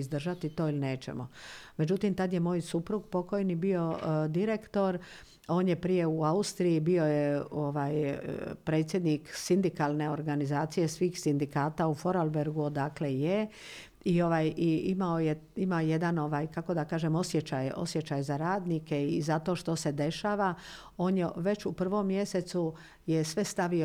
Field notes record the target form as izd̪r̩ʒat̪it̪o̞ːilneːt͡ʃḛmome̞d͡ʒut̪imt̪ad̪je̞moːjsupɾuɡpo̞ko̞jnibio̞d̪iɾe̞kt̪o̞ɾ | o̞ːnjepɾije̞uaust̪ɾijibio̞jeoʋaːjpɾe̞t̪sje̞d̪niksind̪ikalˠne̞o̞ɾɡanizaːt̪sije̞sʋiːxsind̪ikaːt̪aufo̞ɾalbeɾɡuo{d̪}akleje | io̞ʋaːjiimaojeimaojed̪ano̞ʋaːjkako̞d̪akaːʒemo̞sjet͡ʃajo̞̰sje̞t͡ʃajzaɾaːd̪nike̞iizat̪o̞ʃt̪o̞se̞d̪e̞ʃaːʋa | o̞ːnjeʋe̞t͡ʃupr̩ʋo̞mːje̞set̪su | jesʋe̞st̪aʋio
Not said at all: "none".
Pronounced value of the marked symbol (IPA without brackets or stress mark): d̪